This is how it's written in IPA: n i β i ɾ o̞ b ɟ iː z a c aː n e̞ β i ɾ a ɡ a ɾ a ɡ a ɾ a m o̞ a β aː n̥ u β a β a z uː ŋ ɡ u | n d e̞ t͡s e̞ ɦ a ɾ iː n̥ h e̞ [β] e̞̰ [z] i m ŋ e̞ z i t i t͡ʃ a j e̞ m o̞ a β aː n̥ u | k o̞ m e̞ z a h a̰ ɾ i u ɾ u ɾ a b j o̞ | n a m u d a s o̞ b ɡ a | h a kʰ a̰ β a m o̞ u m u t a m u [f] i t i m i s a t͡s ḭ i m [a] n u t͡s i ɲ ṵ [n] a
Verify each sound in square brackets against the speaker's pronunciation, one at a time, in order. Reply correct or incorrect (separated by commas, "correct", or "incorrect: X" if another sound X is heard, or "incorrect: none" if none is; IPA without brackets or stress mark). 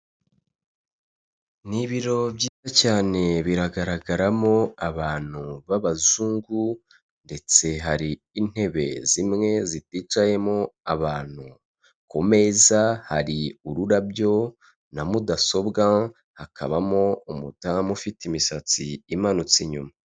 correct, correct, correct, correct, incorrect: m